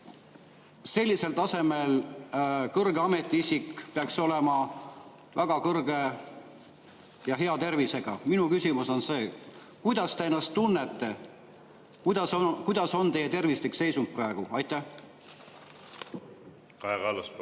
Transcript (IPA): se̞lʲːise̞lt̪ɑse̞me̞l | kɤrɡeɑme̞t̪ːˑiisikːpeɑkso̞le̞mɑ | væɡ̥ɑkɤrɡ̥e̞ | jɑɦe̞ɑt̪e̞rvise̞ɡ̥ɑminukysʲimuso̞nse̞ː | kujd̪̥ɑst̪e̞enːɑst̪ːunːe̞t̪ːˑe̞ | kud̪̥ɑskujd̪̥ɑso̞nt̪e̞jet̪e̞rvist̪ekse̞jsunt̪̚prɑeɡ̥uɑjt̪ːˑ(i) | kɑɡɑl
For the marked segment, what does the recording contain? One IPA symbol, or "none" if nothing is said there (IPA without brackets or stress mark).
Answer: æ